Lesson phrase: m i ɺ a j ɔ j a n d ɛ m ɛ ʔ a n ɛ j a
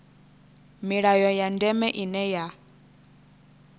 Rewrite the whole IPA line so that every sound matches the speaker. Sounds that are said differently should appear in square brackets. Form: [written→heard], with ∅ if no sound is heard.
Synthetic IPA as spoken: m i ɺ a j ɔ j a n d ɛ m ɛ ʔ [a→i] n ɛ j a